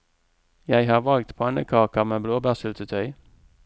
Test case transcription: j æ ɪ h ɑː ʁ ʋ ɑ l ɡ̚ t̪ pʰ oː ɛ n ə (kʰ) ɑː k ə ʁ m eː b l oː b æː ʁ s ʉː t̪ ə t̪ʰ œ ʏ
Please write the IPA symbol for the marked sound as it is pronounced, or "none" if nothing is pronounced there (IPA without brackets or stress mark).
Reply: kʰ